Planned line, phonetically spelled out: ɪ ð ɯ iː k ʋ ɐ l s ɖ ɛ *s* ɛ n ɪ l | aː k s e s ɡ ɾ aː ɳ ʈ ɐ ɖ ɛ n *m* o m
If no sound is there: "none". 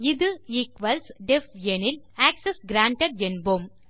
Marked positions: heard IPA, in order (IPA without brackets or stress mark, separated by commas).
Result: f, b